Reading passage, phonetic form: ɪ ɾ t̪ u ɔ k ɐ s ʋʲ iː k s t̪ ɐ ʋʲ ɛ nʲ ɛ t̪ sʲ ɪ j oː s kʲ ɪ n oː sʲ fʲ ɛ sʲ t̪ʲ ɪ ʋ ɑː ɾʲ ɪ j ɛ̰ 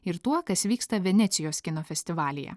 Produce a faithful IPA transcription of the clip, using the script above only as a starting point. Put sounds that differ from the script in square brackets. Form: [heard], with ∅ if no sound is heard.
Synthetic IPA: ɪ ɾ t̪ u ɔ k ɐ s ʋʲ iː k s t̪ ɐ ʋʲ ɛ nʲ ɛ t̪ sʲ ɪ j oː s kʲ ɪ n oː [∅] fʲ ɛ sʲ t̪ʲ ɪ ʋ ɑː [lʲ] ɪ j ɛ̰